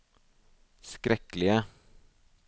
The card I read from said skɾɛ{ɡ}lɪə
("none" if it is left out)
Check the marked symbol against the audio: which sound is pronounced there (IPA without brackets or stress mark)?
k